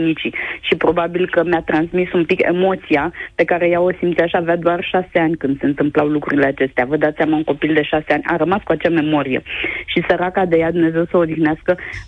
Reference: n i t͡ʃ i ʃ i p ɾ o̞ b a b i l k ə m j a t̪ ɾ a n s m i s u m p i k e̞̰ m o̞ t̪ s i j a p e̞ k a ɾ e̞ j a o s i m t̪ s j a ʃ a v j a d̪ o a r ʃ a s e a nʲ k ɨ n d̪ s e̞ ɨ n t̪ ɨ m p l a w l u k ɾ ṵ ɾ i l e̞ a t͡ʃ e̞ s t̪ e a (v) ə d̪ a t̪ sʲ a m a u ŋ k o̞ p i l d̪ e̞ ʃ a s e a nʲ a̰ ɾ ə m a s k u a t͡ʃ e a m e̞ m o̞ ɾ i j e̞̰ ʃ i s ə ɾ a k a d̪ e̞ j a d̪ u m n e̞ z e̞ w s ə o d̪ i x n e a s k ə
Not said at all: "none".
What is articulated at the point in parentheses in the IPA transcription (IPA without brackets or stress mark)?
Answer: v